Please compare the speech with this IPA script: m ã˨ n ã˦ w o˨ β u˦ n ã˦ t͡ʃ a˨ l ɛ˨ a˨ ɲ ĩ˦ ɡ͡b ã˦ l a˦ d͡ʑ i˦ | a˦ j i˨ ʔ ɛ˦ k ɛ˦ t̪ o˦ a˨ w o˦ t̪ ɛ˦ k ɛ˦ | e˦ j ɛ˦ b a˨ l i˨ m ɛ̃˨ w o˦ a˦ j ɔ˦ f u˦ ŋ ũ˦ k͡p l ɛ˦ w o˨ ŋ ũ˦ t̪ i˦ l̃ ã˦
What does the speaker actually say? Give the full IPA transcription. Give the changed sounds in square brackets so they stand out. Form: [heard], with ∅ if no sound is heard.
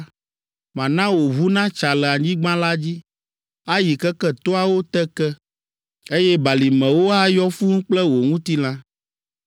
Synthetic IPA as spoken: m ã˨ n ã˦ w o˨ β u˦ n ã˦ t͡ʃ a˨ l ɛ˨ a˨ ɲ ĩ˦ ɡ͡b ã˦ l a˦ d͡ʑ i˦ | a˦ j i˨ [k] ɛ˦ k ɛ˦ t̪ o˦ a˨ w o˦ t̪ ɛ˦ k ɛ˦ | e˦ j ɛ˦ b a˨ l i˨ m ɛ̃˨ w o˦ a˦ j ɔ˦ f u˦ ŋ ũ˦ k͡p l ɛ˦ w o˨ ŋ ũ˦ t̪ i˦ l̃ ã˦